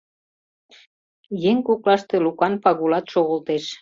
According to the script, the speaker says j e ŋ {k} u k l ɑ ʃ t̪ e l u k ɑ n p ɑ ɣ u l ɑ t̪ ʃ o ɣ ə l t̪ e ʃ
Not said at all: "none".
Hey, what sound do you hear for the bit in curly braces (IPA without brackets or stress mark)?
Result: k